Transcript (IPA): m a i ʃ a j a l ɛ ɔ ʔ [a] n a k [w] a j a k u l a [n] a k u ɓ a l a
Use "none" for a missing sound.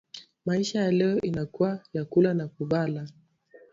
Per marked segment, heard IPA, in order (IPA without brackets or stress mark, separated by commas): i, u, n